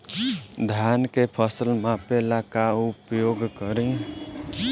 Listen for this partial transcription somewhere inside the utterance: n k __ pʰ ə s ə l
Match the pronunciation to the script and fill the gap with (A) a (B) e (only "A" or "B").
B